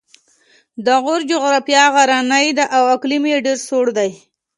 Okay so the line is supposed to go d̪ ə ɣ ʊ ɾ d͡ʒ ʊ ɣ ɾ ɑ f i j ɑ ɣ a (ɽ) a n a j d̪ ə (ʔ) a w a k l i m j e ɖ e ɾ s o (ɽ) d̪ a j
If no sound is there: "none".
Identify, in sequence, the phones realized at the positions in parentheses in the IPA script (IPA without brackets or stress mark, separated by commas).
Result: ɾ, ʔ, ɽ